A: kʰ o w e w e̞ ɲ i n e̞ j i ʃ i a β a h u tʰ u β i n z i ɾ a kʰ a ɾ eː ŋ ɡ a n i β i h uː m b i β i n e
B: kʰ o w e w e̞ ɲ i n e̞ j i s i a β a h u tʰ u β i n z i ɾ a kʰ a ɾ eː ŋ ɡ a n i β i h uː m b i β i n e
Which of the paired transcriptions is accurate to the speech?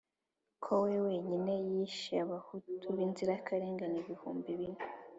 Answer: A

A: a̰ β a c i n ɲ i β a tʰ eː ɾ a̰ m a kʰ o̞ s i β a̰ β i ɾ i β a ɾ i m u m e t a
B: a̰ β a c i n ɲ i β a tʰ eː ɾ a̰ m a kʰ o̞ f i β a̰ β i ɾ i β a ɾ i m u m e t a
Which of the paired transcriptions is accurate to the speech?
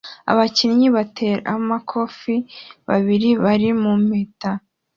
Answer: B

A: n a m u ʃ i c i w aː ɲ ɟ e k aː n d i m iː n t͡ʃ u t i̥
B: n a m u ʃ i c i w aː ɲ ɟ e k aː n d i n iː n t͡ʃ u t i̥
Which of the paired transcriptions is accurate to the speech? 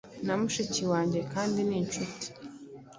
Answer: B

